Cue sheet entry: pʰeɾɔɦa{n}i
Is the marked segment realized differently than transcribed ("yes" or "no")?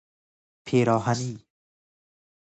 no